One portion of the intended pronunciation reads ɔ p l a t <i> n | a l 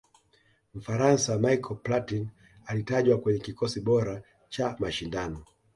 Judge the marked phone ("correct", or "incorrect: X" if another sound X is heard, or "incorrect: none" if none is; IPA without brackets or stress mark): correct